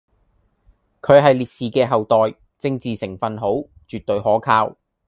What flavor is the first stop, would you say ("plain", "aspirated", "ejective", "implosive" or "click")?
aspirated